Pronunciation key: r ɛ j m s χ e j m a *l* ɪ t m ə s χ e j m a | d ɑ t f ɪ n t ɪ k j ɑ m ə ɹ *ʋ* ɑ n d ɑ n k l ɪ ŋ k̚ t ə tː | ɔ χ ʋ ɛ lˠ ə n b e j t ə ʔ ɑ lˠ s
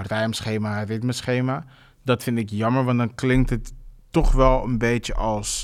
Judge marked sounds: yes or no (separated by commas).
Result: no, yes